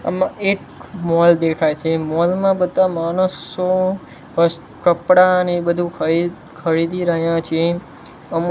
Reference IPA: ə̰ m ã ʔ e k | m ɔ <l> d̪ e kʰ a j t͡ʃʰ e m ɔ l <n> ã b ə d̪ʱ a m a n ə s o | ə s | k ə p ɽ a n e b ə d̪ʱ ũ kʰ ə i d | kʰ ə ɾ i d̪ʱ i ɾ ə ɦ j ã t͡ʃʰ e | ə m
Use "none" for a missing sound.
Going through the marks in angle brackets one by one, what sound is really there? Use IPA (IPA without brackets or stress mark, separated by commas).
l, m